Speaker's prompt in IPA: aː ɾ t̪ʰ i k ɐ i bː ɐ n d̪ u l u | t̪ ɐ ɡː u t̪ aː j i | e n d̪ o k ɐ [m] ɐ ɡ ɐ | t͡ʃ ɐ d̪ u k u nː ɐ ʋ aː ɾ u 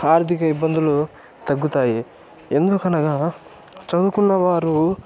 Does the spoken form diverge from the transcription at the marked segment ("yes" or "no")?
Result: yes